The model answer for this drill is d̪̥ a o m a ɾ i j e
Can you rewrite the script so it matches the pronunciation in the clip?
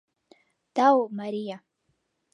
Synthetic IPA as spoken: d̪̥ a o m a ɾ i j a